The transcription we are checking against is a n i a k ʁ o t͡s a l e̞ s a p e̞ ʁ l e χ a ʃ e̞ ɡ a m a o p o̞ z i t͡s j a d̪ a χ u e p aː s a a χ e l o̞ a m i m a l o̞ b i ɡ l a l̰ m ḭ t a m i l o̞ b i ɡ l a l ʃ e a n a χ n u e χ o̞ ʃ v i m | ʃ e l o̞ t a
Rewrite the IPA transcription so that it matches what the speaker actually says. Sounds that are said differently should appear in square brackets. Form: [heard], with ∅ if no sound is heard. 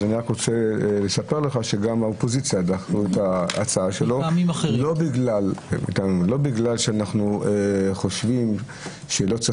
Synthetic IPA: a n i a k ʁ o t͡s [e] l e̞ s a p e̞ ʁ l e χ a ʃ e̞ ɡ a m a o p o̞ z i t͡s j a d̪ a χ u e [t] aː [t͡s] a a [ʃ] e l o̞ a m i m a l o̞ b i ɡ l a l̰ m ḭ t a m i l o̞ b i ɡ l a l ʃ e a n a χ n u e χ o̞ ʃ v i m | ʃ e l o̞ [t͡s] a

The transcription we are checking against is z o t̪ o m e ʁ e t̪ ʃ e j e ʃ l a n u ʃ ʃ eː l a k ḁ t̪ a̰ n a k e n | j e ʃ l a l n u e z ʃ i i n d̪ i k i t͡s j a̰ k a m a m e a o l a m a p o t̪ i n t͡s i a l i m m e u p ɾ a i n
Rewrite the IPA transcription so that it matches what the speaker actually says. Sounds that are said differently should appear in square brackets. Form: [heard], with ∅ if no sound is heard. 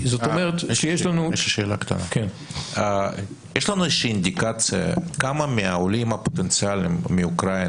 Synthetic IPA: z o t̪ o m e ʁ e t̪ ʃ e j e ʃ l a n u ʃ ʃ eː l a k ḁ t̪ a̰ n a k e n | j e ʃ l a [∅] n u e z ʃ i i n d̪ i k [a] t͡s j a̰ k a m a m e a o l [i] m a p o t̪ [e] n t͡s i a l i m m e u [k] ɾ a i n

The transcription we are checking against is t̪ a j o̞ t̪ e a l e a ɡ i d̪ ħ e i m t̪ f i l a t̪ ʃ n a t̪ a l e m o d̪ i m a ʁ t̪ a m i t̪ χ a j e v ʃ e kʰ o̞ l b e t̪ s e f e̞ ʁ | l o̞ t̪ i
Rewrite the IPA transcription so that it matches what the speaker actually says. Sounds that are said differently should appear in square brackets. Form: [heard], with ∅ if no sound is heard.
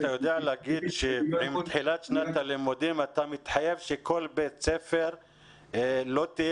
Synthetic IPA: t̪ a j o̞ [d̪] e a l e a ɡ i d̪ [ʃ] e i m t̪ [ħ] i l a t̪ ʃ n a t̪ a l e m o d̪ i m a [∅] t̪ a m i t̪ [ħ] a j e v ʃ e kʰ o̞ l b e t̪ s e f e̞ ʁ | l o̞ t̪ i

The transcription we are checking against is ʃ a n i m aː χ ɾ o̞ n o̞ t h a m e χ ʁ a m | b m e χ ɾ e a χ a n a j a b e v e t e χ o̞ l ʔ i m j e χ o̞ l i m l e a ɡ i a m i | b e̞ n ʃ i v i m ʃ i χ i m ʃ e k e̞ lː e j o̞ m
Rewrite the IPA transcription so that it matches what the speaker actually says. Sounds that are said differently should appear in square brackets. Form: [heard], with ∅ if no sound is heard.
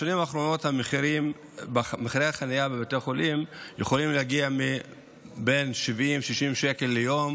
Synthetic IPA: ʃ a n i m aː χ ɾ o̞ n o̞ t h a m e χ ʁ [i] m | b m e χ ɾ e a χ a n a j a b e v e t e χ o̞ l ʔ i m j e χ o̞ l i m l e a ɡ i a m i | b e̞ n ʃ i v i m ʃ i [ʃ] i m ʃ e k e̞ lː e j o̞ m

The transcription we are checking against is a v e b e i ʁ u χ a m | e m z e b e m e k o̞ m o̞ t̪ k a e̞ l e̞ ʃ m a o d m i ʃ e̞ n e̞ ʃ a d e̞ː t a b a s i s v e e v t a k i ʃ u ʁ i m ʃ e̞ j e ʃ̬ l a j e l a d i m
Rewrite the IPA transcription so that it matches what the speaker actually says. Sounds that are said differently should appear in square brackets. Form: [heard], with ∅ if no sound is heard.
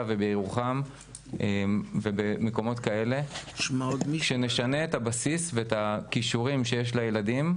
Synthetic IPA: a v e b e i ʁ u χ a m | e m [v] e b e m e k o̞ m o̞ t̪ k a e̞ l e̞ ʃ m a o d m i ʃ e̞ n e̞ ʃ a [n] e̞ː t a b a s i s v e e [∅] t a k i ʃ u ʁ i m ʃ e̞ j e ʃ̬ l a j e l a d i m

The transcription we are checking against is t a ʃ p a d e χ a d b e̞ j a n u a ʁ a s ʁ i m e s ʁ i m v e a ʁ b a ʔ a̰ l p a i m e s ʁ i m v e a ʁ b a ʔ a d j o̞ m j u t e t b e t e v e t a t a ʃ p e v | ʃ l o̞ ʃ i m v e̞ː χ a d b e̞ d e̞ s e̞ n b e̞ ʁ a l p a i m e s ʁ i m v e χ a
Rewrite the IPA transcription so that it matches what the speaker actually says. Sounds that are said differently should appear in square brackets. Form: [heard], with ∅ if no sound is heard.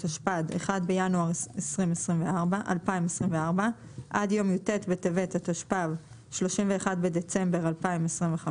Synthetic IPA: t a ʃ p a d e χ a d b e̞ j a n u a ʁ [e] s ʁ i m e s ʁ i m v e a ʁ b a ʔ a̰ l p a i m e s ʁ i m v e a ʁ b a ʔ a d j o̞ m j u t e t b e t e v e t a t a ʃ p [a] v | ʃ l o̞ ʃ i m v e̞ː χ a d b e̞ d e̞ [t͡s] e̞ [m] b e̞ ʁ a l p a i m e s ʁ i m v e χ a

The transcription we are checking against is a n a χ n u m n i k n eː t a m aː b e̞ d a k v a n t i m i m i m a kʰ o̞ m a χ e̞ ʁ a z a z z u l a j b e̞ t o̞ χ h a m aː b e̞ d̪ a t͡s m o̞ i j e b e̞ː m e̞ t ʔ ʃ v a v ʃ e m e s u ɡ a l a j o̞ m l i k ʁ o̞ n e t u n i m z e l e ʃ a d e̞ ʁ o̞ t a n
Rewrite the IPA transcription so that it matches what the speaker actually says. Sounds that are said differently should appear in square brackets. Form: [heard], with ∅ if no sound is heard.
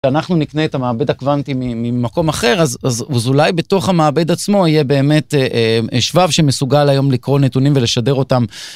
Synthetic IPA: a n a χ n u [∅] n i k n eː t a m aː b e̞ d a k v a n t i m i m i m a [k] o̞ m a χ e̞ ʁ a z a z z u l a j b e̞ t o̞ χ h a m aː b e̞ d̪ a t͡s m o̞ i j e b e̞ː m e̞ t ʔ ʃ v a v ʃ e m e s u ɡ a l a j o̞ m l i k ʁ o̞ n e t u n i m [v] e l e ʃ a d e̞ ʁ o̞ t a [m]

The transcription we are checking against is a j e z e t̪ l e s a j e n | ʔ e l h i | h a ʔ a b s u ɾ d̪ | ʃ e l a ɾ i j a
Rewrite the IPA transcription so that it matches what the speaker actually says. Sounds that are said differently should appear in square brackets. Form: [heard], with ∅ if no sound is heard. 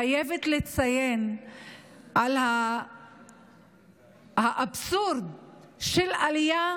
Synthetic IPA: a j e [v] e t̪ l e [t͡s] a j e n | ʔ [a] l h [a] | h a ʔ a b s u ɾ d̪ | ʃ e l a [l] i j a

